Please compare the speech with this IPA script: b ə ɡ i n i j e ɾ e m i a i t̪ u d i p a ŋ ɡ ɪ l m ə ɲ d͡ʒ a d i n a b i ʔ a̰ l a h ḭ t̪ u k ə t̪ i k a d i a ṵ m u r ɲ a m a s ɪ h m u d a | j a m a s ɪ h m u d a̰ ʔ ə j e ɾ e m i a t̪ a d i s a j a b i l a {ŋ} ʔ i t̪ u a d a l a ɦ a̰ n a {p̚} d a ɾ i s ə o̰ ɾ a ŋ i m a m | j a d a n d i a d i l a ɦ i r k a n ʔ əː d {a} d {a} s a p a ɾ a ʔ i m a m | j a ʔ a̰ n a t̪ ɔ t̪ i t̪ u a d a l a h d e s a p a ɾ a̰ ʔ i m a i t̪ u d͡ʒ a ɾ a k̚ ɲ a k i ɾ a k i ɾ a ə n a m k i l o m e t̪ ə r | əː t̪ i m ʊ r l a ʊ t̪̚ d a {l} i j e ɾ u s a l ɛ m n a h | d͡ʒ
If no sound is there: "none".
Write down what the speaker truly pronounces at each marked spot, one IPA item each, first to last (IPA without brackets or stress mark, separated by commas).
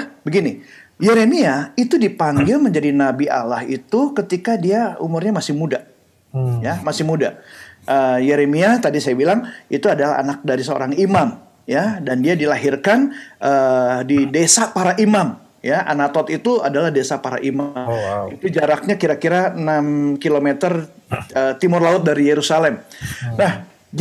ŋ, k̚, i, e, ɾ